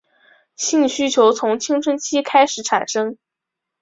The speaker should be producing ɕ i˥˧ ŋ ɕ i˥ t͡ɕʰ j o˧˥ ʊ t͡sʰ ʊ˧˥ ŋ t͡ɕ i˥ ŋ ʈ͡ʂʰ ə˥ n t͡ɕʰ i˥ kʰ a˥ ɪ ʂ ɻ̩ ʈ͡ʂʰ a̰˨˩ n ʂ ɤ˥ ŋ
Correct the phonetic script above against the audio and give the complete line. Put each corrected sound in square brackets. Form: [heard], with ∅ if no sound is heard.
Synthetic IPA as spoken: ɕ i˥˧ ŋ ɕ [y˥] t͡ɕʰ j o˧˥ ʊ t͡sʰ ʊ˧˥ ŋ [t͡ɕʰ] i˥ ŋ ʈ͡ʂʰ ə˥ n t͡ɕʰ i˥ kʰ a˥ ɪ ʂ ɻ̩ ʈ͡ʂʰ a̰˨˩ n ʂ ɤ˥ ŋ